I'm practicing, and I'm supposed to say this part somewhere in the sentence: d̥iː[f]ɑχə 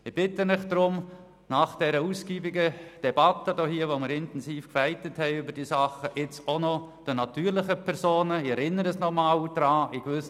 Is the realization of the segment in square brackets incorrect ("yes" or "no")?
yes